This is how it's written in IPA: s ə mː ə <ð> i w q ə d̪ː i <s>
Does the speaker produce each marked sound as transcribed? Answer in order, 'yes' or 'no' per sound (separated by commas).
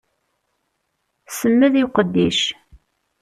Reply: yes, no